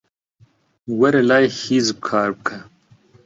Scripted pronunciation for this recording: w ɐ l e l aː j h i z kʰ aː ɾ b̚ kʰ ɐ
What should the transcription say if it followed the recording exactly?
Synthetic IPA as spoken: w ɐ ɾ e l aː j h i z kʰ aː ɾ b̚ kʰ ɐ